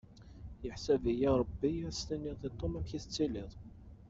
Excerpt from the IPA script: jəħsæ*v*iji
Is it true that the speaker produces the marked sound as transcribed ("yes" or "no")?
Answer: yes